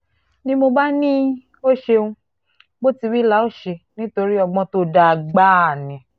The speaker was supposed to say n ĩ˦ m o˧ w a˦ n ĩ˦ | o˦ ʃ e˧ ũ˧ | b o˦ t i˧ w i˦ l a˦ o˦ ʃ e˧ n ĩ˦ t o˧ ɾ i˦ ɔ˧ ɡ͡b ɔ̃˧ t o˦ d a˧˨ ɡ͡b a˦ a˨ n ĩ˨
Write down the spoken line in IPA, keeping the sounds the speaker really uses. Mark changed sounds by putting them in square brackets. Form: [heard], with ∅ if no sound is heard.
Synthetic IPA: n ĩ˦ m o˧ [b] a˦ n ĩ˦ | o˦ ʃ e˧ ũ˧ | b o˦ t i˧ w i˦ l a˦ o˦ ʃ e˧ n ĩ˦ t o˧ ɾ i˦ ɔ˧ ɡ͡b ɔ̃˧ t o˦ d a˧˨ ɡ͡b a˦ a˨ n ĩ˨